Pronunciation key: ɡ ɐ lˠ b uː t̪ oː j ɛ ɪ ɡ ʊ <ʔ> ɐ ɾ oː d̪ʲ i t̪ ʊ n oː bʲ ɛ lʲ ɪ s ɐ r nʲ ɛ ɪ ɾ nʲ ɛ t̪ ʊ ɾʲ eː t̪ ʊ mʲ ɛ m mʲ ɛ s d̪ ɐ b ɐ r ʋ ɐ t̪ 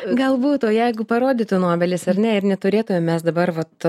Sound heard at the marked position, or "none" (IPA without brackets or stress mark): p